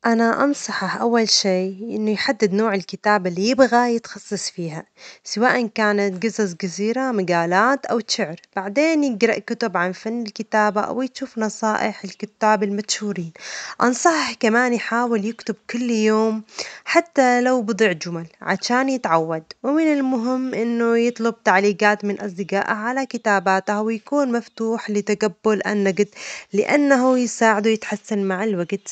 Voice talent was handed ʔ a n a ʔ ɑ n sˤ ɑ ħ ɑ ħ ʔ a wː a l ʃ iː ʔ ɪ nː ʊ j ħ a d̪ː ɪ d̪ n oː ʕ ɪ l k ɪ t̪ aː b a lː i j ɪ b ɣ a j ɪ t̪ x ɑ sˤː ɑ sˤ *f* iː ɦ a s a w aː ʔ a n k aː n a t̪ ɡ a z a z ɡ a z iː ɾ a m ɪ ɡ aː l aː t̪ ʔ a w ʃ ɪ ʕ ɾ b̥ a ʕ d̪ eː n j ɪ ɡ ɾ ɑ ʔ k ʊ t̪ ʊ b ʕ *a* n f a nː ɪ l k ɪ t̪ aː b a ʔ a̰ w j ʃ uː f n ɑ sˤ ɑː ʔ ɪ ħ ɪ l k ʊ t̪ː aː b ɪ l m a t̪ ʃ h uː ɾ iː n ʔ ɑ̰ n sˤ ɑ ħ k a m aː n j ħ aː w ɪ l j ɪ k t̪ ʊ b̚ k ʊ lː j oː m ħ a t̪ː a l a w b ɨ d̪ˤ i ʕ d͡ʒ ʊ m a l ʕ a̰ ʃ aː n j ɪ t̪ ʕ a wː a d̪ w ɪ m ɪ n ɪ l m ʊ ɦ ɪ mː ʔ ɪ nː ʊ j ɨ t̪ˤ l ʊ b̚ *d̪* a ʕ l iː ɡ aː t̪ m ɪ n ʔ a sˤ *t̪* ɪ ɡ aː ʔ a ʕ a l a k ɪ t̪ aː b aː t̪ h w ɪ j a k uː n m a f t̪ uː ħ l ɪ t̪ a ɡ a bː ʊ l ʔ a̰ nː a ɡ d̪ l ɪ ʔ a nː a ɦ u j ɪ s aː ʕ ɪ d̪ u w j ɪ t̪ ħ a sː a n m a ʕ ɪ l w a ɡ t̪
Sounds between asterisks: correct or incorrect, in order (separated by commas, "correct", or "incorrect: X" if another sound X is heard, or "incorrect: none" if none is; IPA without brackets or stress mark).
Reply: correct, correct, incorrect: t̪, incorrect: d̪